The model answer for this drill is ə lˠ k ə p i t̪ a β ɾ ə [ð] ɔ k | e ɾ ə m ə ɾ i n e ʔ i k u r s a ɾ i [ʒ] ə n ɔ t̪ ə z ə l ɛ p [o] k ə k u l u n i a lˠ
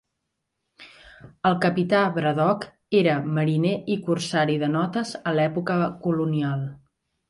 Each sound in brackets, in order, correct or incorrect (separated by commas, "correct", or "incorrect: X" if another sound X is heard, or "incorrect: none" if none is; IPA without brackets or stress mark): correct, incorrect: ð, incorrect: u